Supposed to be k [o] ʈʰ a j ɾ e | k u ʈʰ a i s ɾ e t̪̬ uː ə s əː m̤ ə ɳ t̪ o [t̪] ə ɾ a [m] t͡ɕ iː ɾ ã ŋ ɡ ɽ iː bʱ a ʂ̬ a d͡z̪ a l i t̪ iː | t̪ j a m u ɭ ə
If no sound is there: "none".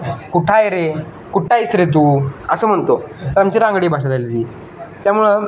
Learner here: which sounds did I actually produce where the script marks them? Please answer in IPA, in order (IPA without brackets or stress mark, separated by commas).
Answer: u, t̪, m